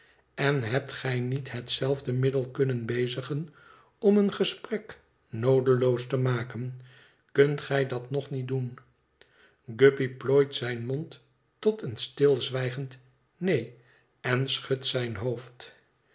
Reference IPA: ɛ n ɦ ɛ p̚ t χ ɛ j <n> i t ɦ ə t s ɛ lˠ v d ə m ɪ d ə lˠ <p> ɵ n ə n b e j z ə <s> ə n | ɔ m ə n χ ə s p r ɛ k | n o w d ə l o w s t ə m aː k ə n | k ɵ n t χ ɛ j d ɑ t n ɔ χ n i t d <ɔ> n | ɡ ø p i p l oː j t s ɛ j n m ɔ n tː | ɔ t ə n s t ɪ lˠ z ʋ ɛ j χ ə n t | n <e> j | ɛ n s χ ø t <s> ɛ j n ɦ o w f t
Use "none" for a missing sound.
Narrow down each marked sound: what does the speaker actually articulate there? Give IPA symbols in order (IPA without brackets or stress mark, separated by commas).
n, k, χ, u, e, s